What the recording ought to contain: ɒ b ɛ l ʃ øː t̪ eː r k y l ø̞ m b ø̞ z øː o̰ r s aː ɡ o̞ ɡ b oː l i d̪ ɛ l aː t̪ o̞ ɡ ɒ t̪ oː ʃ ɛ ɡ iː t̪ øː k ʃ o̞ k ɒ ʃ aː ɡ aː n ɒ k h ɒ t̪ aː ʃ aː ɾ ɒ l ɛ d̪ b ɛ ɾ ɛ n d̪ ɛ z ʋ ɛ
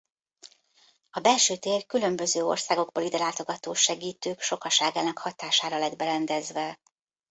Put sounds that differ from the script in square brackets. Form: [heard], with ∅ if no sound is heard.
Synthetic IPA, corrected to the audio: ɒ b ɛ l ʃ øː t̪ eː r k y l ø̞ m b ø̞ z øː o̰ r s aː ɡ o̞ ɡ b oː l i d̪ ɛ l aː t̪ o̞ ɡ ɒ t̪ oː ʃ ɛ ɡ iː t̪ øː k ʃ o̞ k ɒ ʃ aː ɡ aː n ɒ k h ɒ t̪ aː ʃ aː ɾ ɒ l ɛ d̪ b ɛ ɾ ɛ n d̪ ɛ z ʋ ɛ